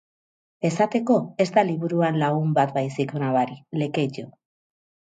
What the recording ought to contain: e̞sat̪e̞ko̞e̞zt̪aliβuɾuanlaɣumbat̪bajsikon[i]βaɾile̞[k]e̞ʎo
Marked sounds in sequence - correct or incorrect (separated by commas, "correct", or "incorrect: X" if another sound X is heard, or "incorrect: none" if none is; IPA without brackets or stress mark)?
incorrect: a, correct